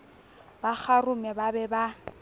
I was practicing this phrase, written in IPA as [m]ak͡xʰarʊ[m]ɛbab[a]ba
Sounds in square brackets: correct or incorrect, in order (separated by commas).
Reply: incorrect, correct, incorrect